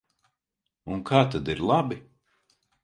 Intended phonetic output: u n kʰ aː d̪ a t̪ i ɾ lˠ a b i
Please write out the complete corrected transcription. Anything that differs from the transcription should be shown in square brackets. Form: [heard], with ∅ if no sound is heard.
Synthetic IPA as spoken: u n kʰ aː [t̪] a [d̪] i ɾ lˠ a b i